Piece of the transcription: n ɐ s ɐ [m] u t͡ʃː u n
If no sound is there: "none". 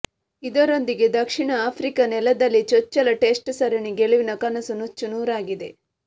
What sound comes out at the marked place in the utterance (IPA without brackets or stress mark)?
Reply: n